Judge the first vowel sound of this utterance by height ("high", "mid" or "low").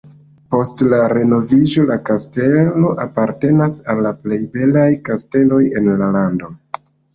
mid